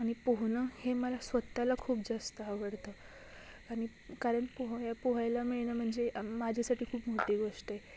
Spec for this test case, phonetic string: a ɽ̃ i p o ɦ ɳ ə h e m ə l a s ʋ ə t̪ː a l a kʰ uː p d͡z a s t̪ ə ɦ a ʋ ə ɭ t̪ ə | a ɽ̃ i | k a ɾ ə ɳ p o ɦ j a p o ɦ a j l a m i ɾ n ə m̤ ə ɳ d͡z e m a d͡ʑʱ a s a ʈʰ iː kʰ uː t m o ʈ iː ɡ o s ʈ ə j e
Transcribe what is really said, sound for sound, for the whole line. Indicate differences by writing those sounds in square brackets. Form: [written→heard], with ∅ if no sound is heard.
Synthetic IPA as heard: a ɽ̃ i p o ɦ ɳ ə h e m ə l a s ʋ ə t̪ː a l a kʰ uː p d͡z a s t̪ ə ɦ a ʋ ə [ɭ→ɽ] t̪ ə | a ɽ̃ i | k a ɾ ə ɳ p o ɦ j a p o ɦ a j l a m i [ɾ→ɭ] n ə m̤ ə ɳ d͡z e m a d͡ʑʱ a s a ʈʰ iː kʰ uː [t→p] m o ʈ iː ɡ o [s→ʂ] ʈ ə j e

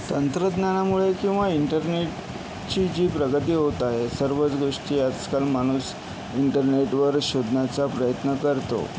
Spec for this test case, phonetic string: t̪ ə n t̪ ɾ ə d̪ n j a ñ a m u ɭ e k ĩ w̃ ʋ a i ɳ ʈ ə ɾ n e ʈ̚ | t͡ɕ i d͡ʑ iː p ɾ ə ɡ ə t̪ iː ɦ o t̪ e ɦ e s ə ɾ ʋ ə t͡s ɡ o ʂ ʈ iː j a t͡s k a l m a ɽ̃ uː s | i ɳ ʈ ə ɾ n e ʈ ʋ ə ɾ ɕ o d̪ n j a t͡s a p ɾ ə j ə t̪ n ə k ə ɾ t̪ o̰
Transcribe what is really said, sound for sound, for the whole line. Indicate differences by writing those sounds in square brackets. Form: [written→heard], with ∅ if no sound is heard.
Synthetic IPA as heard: t̪ ə n t̪ ɾ ə d̪ n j a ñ a m u ɭ e k ĩ w̃ ʋ a i ɳ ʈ ə ɾ n e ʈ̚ | t͡ɕ i d͡ʑ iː p ɾ ə ɡ ə t̪ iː ɦ o t̪ [e→a] ɦ e s ə ɾ ʋ ə t͡s ɡ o ʂ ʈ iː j a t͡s k a l m a ɽ̃ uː s | i ɳ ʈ ə ɾ n e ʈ ʋ ə ɾ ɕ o d̪ n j a t͡s a p ɾ ə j ə t̪ n ə k ə ɾ t̪ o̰

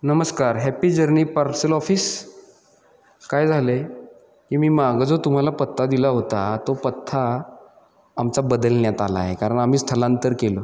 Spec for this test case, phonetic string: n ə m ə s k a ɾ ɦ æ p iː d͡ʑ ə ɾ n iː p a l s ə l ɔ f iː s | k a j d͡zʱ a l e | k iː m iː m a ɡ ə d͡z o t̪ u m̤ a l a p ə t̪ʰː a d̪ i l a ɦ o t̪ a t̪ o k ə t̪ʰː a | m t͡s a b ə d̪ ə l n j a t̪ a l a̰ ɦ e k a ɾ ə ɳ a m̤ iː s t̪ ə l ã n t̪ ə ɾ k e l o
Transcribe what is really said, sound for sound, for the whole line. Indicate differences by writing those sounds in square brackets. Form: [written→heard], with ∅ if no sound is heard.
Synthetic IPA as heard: n ə m ə s k a ɾ ɦ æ p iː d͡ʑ ə ɾ n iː p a [l→ɾ] s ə l ɔ f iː s | k a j d͡zʱ a l e | k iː m iː m a ɡ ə d͡z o t̪ u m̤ a l a p ə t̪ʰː a d̪ i l a ɦ o t̪ a t̪ o [k→p] ə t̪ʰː a | m t͡s a b ə d̪ ə l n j a t̪ a l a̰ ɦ e k a ɾ ə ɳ a m̤ iː s [t̪→t̪ʰ] ə l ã n t̪ ə ɾ k e l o

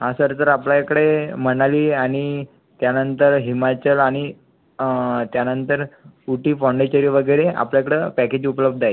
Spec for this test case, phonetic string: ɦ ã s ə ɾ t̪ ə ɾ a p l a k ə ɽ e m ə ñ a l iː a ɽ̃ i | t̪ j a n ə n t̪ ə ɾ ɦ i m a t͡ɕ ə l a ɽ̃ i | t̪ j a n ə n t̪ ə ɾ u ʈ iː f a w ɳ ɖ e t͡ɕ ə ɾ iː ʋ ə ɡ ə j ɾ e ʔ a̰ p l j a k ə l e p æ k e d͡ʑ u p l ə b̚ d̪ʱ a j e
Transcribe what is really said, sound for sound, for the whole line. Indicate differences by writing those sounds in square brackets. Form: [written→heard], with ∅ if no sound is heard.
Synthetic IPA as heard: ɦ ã s ə ɾ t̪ ə ɾ a p l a k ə ɽ e m ə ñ a l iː a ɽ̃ i | t̪ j a n ə n t̪ ə ɾ ɦ i m a t͡ɕ ə l a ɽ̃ i | t̪ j a n ə n t̪ ə ɾ u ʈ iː f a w ɳ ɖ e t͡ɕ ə ɾ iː ʋ ə ɡ ə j ɾ e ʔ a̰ p l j a k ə [l→ɽ] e p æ k e d͡ʑ u p l ə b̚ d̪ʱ a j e

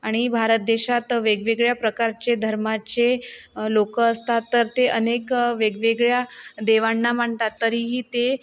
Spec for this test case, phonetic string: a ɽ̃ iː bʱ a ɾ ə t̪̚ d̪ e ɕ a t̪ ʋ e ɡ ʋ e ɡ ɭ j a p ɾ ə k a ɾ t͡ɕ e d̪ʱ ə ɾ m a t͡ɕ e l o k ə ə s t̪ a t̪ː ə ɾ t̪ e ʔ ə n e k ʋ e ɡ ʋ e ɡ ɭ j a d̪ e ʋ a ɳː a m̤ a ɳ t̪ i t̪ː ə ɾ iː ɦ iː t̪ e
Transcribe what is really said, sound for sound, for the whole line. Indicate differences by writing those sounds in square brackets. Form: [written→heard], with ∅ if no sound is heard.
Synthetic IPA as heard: a ɽ̃ [iː→i] bʱ a ɾ ə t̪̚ d̪ e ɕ a t̪ ʋ e ɡ ʋ e ɡ ɭ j a p ɾ ə k a ɾ t͡ɕ e d̪ʱ ə ɾ m a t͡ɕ e l o k ə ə s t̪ a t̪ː ə ɾ t̪ e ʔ ə n e k ʋ e ɡ ʋ e ɡ ɭ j a d̪ e ʋ a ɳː a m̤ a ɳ t̪ [i→a] t̪ː ə ɾ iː ɦ iː t̪ e

